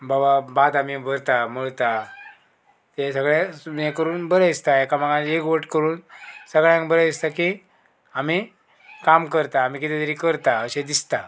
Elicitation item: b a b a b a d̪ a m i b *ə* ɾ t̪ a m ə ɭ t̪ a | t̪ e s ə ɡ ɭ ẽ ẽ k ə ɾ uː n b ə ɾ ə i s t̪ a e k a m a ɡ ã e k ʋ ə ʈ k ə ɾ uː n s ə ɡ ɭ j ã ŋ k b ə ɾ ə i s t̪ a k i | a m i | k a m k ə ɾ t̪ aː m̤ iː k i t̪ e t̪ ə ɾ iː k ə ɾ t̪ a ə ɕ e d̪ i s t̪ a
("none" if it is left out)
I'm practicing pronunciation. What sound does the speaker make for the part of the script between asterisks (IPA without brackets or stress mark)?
ə